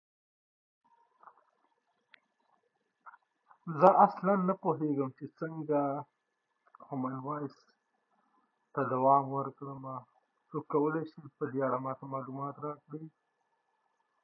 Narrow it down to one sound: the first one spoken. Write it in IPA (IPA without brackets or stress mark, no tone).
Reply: z